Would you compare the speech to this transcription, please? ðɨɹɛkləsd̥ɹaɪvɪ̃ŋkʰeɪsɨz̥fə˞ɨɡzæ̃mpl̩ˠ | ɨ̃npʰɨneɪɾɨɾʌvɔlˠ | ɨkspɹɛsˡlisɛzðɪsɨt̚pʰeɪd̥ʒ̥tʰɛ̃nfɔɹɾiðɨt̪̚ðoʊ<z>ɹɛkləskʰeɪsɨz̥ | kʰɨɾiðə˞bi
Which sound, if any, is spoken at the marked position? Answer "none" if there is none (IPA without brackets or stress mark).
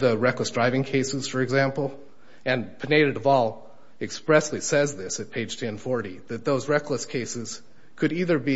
z